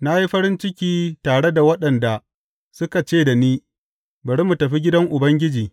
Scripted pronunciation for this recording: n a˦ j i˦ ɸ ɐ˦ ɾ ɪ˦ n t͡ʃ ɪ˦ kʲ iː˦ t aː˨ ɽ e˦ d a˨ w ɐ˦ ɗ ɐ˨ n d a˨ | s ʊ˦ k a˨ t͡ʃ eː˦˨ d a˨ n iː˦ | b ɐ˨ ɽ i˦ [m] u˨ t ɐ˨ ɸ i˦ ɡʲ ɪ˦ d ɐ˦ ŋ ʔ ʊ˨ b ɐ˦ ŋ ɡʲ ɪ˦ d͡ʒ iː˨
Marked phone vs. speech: correct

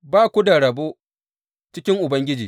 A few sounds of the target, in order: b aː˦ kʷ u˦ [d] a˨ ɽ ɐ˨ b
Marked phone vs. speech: correct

